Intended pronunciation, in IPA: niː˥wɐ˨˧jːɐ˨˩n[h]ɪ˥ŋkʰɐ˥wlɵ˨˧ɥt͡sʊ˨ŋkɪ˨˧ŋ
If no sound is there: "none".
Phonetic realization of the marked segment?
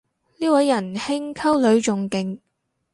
h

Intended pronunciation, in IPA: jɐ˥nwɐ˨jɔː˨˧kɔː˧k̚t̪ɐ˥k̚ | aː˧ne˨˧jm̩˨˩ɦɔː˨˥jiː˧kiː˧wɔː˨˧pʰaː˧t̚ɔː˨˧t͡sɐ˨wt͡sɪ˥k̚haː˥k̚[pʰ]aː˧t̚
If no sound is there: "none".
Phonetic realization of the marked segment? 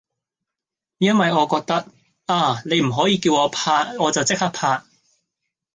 pʰ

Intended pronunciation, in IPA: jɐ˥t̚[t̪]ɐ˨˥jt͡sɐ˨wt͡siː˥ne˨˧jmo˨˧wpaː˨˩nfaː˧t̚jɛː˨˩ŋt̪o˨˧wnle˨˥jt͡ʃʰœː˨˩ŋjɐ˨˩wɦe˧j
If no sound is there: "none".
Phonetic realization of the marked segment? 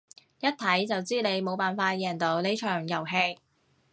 t̪ʰ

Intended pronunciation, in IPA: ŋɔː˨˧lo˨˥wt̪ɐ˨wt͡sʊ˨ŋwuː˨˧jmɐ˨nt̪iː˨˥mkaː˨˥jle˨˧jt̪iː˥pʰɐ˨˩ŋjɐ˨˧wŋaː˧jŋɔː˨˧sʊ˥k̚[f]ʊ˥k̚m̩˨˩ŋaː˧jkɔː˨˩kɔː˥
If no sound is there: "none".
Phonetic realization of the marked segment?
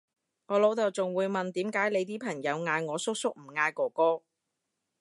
s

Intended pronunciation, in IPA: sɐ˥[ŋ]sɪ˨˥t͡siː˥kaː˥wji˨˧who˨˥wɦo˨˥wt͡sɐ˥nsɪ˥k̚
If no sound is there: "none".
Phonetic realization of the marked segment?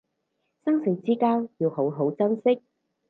ŋ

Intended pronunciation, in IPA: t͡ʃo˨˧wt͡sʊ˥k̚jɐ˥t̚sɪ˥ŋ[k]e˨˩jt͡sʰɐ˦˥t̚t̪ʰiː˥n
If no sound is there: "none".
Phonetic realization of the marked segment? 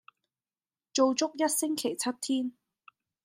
kʰ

